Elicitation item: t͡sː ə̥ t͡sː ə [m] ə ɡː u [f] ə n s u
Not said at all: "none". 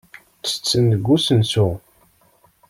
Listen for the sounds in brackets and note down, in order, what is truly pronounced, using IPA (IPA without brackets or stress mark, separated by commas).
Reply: n, s